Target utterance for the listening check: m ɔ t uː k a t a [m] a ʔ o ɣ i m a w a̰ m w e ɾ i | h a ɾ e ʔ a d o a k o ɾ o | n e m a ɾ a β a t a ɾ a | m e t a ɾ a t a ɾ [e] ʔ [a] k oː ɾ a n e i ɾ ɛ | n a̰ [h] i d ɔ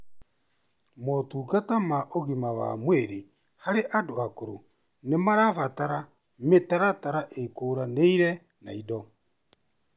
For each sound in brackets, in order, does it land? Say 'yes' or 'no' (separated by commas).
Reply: yes, no, no, no